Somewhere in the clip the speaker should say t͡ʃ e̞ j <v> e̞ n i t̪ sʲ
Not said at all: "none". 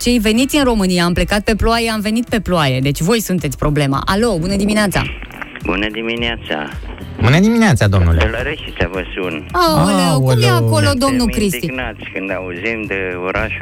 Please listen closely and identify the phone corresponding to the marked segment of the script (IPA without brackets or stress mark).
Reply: v